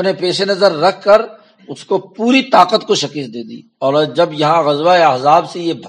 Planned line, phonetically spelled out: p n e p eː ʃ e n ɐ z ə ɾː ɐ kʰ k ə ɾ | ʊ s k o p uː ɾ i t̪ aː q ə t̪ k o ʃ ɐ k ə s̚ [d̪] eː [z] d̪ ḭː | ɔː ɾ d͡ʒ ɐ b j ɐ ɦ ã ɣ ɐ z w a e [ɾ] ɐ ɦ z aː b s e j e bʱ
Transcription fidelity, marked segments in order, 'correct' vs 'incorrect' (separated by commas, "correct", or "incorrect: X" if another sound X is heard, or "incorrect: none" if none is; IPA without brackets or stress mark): correct, incorrect: none, incorrect: none